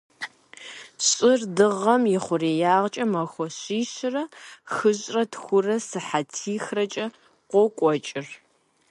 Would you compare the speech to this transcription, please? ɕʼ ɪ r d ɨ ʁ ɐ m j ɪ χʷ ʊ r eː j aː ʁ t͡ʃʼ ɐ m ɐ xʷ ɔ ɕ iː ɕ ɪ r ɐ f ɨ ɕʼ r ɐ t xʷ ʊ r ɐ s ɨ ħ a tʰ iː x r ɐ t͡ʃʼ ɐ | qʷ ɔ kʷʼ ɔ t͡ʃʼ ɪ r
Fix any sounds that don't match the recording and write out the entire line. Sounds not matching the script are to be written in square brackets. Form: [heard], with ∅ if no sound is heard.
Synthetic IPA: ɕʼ ɪ r d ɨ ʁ ɐ m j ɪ χʷ ʊ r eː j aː ʁ t͡ʃʼ ɐ m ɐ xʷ ɔ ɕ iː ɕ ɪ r ɐ [x] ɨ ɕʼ r ɐ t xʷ ʊ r ɐ s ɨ ħ a tʰ iː x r ɐ t͡ʃʼ ɐ | qʷ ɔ kʷʼ ɔ t͡ʃʼ ɪ r

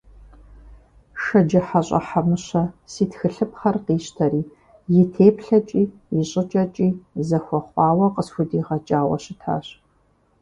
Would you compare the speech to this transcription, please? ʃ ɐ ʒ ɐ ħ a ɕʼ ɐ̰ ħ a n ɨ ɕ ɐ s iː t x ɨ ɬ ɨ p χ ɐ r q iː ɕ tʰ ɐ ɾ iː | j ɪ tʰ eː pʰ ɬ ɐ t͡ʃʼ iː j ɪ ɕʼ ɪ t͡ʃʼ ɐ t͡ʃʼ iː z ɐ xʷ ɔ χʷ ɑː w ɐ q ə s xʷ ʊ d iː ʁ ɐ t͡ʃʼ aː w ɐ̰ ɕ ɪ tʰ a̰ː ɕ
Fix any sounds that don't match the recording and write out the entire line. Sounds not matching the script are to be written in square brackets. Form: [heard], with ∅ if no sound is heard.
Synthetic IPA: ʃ ɐ [d͡ʒ] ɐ ħ a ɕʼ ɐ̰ ħ a [m] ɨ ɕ ɐ s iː t x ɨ ɬ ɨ p χ ɐ r q iː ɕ tʰ ɐ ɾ iː | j ɪ tʰ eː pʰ ɬ ɐ t͡ʃʼ iː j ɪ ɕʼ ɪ t͡ʃʼ ɐ t͡ʃʼ iː z ɐ xʷ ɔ χʷ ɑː w ɐ q ə s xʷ ʊ d iː ʁ ɐ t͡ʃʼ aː w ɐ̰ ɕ ɪ tʰ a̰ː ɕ

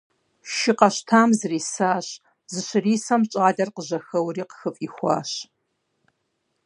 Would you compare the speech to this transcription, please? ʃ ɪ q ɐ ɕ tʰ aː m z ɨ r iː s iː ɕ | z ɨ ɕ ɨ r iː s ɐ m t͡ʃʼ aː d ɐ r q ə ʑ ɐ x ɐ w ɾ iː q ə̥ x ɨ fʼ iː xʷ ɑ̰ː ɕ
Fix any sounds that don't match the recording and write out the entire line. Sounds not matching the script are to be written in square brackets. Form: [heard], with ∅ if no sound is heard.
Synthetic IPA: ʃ ɪ q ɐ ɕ tʰ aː m z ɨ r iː s [aː] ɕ | z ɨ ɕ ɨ r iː s ɐ m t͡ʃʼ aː d ɐ r q ə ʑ ɐ x ɐ w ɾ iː q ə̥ x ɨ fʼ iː xʷ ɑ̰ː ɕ

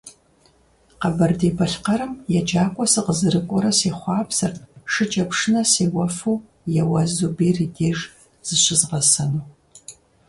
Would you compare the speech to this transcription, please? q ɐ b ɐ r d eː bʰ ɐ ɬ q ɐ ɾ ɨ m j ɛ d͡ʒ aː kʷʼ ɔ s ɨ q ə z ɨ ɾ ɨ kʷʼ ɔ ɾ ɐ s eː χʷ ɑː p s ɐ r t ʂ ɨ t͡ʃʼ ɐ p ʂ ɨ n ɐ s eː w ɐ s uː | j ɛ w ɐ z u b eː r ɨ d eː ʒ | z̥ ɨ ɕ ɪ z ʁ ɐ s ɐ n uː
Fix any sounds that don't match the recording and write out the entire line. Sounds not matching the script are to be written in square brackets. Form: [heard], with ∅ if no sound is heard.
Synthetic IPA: q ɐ b ɐ r d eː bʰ ɐ ɬ q ɐ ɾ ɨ m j ɛ d͡ʒ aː kʷʼ ɔ s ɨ q ə z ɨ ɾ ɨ kʷʼ ɔ ɾ ɐ s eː χʷ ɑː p s ɐ r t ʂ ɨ t͡ʃʼ ɐ p ʂ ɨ n ɐ s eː w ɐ [f] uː | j ɛ w ɐ z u b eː r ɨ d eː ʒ | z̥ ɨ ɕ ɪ z ʁ ɐ s ɐ n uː

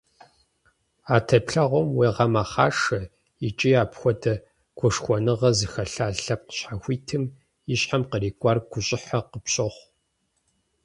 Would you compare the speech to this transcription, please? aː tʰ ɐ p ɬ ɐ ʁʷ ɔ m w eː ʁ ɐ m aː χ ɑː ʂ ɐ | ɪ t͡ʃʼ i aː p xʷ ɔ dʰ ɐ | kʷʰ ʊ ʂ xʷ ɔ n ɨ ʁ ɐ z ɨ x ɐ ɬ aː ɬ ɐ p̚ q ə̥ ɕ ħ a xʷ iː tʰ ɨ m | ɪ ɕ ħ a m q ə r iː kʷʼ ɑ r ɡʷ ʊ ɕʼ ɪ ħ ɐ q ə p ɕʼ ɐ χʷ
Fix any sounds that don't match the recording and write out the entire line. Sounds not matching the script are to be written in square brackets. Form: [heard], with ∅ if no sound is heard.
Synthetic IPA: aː tʰ ɐ p ɬ ɐ ʁʷ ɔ m w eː ʁ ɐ m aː χ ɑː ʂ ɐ | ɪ t͡ʃʼ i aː p xʷ ɔ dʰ ɐ | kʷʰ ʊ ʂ xʷ ɔ n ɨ ʁ ɐ z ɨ x ɐ ɬ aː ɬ ɐ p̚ q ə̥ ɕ ħ a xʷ iː tʰ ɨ m | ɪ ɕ ħ a m q ə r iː kʷʼ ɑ r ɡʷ ʊ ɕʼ ɪ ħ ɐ q ə p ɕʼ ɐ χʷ

